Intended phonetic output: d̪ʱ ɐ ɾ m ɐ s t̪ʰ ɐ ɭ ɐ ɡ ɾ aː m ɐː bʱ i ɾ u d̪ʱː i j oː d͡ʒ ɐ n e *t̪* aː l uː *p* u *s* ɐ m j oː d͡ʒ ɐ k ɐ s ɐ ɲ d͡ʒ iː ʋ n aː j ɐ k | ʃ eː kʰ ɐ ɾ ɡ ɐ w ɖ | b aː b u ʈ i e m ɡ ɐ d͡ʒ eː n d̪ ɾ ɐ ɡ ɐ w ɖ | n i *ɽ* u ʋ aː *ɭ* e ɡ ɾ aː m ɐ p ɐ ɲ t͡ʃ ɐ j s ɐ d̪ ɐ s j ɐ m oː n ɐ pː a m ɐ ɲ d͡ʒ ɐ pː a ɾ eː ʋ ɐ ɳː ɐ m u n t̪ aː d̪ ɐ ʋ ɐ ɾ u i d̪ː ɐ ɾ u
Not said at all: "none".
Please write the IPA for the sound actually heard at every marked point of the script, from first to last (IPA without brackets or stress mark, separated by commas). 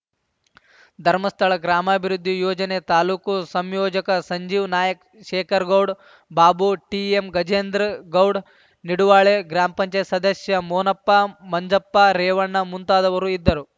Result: t̪, k, s, ɽ, ɭ